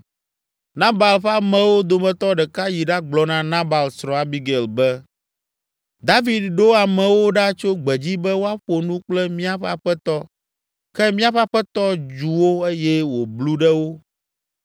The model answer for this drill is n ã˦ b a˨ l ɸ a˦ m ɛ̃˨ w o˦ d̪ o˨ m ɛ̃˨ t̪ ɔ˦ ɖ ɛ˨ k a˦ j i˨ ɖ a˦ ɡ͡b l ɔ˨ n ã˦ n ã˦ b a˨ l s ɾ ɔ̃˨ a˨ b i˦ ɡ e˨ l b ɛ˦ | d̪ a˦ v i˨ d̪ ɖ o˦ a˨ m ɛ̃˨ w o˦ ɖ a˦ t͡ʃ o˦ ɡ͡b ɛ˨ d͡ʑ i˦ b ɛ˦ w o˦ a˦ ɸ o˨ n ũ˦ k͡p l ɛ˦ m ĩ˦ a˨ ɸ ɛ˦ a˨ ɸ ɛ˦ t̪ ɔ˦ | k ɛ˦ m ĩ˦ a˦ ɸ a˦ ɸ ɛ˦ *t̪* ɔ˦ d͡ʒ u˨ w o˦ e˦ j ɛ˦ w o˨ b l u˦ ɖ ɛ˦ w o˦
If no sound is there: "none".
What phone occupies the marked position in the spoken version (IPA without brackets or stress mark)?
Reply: t̪